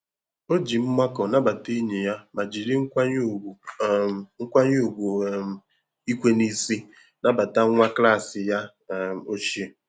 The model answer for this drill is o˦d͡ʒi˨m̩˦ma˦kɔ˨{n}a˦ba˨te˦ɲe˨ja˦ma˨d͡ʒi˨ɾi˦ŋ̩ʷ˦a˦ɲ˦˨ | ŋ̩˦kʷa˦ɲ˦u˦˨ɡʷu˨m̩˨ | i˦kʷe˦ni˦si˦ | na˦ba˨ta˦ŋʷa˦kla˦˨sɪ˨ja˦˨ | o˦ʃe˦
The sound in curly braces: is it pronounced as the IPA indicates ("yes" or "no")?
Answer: yes